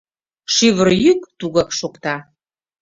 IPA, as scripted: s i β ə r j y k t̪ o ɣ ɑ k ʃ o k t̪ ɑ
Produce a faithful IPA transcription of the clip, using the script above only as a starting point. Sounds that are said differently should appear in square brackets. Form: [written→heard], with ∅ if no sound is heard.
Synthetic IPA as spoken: [s→ʃ] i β ə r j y k t̪ [o→u] ɣ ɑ k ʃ o k t̪ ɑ